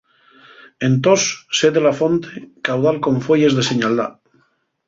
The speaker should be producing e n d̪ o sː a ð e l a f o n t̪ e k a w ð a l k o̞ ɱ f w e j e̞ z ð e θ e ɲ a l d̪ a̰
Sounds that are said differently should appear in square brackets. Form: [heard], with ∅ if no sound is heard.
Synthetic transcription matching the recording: e n [t̪] o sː [e] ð e l a f o n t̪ e k a w ð a l k o̞ ɱ f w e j e̞ z ð e [s] e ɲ a l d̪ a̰